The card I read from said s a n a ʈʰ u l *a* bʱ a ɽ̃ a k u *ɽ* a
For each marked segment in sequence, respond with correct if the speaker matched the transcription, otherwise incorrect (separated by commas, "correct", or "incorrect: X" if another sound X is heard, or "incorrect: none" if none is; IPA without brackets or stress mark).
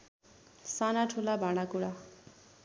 correct, correct